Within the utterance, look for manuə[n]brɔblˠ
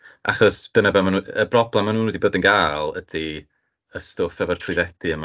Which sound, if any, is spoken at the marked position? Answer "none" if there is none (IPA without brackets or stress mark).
none